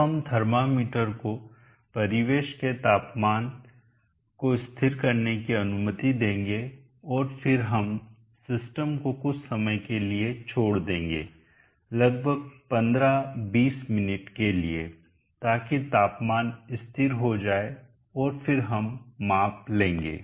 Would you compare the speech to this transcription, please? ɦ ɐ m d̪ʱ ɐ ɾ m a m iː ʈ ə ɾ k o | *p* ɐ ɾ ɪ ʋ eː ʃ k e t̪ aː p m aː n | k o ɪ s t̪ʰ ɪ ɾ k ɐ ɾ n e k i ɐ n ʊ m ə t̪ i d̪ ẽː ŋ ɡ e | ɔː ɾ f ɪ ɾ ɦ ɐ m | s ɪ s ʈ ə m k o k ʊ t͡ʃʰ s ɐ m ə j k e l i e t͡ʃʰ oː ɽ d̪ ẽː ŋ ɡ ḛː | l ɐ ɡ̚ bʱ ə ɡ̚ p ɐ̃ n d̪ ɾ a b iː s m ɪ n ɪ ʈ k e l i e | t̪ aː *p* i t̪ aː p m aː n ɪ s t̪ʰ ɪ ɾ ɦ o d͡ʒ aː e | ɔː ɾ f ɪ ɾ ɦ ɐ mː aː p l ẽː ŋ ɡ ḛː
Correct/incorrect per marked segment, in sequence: correct, incorrect: k

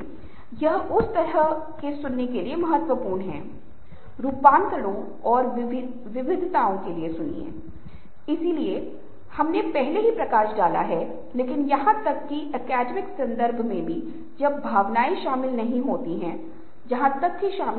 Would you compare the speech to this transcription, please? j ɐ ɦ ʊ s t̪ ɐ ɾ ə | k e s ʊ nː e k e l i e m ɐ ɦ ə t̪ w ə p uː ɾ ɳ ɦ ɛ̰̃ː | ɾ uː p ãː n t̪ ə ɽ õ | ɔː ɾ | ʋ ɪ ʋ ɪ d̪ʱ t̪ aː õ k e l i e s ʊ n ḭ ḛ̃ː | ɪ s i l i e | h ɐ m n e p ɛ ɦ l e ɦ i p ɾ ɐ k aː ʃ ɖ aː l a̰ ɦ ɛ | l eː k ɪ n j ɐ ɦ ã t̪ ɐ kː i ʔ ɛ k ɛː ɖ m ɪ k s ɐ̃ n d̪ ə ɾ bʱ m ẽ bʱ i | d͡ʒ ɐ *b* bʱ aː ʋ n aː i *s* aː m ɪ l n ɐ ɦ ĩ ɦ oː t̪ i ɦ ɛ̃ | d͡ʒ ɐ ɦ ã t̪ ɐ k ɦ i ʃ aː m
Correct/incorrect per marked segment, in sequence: correct, incorrect: ʃ

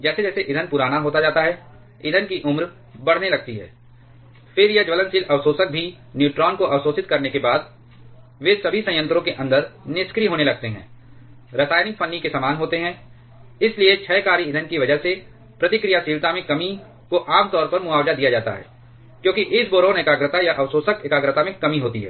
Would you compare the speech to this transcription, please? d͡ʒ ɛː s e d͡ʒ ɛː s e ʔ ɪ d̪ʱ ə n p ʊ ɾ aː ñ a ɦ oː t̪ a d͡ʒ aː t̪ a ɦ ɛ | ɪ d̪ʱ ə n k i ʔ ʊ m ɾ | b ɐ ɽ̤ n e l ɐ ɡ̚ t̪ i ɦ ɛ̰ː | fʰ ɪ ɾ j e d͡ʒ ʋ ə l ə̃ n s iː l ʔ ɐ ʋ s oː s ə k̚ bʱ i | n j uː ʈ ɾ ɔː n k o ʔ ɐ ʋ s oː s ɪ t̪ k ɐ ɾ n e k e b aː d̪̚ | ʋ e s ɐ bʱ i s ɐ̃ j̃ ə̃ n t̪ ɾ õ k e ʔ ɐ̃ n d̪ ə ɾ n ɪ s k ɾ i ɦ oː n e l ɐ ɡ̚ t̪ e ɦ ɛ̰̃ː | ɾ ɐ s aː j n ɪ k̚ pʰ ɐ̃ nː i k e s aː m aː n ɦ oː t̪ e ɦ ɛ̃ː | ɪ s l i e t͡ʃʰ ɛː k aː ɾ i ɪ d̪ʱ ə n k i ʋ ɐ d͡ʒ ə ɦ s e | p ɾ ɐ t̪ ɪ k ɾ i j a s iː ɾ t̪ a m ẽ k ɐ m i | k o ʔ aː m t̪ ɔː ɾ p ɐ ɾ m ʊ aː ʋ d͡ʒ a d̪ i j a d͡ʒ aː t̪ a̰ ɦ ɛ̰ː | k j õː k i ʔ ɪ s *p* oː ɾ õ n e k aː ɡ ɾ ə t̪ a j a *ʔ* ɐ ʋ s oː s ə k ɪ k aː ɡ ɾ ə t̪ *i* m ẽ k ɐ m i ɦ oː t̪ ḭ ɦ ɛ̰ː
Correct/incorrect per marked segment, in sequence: incorrect: b, correct, incorrect: a

